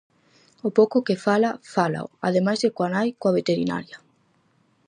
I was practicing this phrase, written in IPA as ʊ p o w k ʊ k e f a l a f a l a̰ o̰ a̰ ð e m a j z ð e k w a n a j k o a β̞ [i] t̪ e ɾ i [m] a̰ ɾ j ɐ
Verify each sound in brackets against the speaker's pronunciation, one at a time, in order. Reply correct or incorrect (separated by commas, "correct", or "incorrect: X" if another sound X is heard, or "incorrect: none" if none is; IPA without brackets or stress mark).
incorrect: e, incorrect: n